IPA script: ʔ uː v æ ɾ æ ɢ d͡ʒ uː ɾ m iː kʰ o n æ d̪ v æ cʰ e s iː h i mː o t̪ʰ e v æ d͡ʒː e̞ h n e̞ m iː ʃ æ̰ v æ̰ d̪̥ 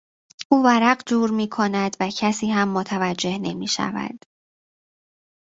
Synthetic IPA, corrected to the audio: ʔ uː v æ ɾ æ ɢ d͡ʒ uː ɾ m iː kʰ o n æ d̪ v æ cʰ æ s iː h æ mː o t̪ʰ æ v æ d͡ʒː e̞ h n e̞ m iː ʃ æ̰ v æ̰ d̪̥